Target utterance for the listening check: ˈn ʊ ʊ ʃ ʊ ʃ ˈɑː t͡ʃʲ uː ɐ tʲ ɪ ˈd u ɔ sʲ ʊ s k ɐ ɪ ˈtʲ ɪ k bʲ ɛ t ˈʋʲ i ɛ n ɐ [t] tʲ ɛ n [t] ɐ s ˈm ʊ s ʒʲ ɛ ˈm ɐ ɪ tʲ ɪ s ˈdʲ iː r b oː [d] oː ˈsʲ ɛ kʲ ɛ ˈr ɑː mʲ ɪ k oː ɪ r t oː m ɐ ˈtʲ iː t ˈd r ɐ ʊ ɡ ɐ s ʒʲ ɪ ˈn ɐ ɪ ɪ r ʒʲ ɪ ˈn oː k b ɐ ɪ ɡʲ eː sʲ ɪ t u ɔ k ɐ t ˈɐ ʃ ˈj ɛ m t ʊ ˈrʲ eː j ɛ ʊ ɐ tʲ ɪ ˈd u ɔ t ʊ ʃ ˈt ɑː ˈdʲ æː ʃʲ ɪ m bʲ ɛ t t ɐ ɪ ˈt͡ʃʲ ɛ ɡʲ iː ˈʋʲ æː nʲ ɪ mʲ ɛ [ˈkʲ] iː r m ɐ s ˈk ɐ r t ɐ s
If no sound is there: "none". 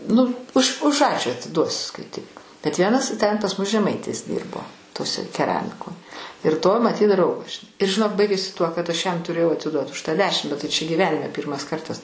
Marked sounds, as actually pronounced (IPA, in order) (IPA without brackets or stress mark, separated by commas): s, p, t, pʲ